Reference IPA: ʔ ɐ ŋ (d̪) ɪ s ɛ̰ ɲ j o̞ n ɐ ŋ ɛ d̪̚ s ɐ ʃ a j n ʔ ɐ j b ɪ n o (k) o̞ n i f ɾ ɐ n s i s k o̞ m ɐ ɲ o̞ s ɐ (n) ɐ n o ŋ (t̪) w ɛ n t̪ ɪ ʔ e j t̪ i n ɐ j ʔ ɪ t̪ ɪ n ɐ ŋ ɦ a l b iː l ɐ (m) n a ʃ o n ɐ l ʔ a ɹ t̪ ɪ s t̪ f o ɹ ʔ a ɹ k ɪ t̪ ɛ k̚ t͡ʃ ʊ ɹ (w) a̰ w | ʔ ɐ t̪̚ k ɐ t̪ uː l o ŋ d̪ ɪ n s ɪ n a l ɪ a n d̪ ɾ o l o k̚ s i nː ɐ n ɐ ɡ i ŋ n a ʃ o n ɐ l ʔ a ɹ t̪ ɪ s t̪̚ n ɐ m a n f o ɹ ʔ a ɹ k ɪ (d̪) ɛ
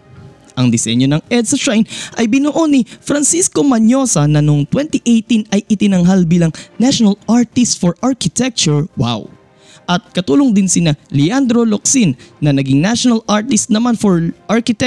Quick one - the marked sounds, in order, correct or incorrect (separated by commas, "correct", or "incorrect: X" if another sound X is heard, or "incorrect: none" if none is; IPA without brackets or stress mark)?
correct, incorrect: ʔ, correct, correct, incorrect: ŋ, correct, incorrect: t̪